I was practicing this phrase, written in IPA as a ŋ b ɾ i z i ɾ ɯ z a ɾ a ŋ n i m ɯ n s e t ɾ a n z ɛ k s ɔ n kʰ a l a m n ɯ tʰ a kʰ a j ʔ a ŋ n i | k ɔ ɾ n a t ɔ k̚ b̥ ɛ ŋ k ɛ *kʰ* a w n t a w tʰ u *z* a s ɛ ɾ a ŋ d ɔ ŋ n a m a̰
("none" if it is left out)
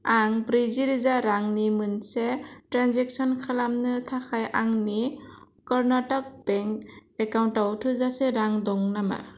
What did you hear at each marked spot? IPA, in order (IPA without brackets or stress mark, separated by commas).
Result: k, z